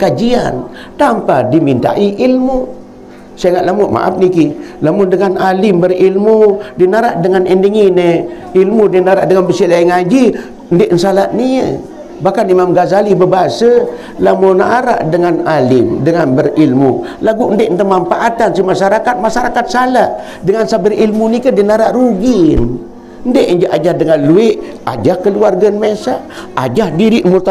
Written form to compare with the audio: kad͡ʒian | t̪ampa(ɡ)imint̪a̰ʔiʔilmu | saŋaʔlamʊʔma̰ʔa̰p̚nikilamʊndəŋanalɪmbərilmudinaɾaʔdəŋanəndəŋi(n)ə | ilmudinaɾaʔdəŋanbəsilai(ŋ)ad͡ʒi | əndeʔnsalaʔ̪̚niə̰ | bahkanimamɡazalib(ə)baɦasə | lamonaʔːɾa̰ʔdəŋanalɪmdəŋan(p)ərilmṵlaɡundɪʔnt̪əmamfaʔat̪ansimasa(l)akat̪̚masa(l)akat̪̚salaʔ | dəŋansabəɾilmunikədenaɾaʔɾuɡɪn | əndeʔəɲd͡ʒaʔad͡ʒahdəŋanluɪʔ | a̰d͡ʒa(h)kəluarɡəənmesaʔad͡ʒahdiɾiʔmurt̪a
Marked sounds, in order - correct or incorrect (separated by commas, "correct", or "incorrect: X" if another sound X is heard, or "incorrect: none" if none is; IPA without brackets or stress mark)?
incorrect: d, correct, correct, correct, incorrect: b, incorrect: ɾ, incorrect: ɾ, correct